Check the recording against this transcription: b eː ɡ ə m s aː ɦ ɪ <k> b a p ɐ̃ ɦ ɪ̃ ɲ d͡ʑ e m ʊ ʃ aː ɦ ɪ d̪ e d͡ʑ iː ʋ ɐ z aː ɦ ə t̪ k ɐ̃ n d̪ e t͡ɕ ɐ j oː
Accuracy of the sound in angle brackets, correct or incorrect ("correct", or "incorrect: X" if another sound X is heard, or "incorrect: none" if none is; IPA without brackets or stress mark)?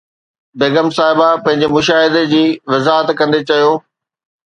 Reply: incorrect: none